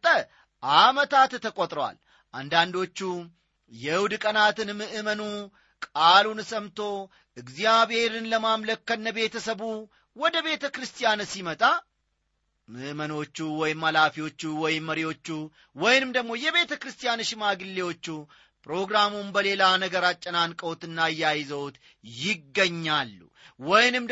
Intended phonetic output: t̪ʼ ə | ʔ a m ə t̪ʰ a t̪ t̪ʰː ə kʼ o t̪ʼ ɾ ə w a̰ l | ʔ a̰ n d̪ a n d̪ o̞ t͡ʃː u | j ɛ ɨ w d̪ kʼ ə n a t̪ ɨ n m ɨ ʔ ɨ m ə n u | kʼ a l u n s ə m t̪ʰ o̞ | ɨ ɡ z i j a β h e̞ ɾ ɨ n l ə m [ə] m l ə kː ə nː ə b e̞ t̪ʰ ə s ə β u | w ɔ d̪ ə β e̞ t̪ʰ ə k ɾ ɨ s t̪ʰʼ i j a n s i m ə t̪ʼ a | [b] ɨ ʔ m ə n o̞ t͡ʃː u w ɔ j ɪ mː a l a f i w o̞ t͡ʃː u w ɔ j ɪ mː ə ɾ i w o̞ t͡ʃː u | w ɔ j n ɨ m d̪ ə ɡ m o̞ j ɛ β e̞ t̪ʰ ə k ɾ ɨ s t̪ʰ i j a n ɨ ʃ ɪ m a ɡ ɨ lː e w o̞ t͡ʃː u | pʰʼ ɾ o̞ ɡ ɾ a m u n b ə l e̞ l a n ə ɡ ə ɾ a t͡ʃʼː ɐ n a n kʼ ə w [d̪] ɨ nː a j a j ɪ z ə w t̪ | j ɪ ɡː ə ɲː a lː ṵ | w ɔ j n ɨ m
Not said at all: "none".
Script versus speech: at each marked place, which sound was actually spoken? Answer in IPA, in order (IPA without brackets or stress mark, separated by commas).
a, m, t̪